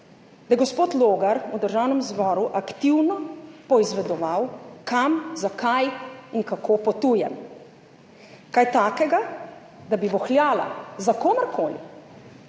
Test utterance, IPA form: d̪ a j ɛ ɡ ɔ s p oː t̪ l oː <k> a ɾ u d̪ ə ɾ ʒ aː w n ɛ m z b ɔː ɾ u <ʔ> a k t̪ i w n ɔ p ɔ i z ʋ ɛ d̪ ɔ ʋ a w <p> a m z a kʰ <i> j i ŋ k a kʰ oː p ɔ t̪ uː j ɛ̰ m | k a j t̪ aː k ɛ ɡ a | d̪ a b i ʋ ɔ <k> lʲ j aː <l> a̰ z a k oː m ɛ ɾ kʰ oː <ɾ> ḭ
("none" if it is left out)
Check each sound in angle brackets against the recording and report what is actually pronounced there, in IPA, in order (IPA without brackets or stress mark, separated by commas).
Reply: ɡ, ʔ, k, a, x, l, l